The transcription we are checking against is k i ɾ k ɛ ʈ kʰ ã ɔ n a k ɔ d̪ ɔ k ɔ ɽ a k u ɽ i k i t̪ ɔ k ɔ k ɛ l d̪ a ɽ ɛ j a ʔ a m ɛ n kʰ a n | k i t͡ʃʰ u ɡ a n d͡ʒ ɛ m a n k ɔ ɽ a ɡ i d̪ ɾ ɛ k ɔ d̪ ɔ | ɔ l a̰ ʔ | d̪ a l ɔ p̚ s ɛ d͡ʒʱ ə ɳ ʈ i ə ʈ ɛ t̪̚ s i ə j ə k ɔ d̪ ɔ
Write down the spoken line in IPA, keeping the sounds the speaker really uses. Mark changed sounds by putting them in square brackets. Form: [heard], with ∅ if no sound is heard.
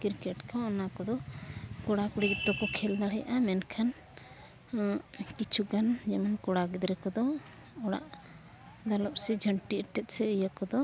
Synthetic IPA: k i ɾ k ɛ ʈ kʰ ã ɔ n a k ɔ d̪ ɔ k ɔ ɽ a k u ɽ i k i t̪ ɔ k ɔ [kʰ] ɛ l d̪ a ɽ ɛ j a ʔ a m ɛ n kʰ a n | k i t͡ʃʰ u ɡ a n d͡ʒ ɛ m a n k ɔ ɽ a ɡ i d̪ ɾ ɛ k ɔ d̪ ɔ | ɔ [ɽ] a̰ ʔ | d̪ a l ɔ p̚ s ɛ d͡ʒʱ ə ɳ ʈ i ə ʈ ɛ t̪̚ s [ɛ] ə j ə k ɔ d̪ ɔ